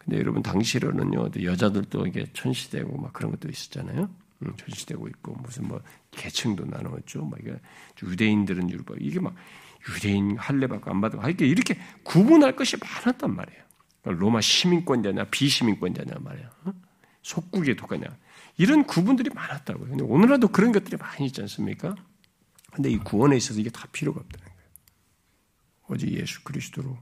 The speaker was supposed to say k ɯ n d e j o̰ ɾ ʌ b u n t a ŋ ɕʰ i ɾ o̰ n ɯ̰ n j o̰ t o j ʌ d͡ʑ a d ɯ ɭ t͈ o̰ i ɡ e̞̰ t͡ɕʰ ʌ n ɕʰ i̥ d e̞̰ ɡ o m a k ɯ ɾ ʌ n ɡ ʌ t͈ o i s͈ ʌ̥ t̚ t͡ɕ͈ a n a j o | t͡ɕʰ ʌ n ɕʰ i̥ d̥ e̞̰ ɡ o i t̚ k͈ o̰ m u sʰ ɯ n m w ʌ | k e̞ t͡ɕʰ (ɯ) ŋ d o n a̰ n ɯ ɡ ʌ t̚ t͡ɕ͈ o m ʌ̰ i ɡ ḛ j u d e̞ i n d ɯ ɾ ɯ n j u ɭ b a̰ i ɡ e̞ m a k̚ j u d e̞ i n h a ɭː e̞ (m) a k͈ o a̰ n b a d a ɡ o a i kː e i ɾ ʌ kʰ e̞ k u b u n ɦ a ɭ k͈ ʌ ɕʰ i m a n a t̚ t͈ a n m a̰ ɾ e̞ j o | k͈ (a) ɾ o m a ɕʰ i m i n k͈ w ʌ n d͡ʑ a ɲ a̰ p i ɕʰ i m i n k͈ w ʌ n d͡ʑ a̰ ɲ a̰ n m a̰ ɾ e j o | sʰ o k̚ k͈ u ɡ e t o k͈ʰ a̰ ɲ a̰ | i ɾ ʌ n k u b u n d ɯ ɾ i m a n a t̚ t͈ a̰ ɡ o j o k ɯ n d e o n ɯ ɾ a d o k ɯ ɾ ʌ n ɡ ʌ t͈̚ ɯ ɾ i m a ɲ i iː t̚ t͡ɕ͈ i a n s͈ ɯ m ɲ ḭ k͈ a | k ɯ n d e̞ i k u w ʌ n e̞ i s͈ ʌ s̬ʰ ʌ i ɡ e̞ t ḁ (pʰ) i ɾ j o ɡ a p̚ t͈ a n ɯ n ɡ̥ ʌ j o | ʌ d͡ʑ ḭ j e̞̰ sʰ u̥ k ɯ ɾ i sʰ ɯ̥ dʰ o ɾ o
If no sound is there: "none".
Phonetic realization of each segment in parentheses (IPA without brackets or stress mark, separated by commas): ɯ, b, a, pʰ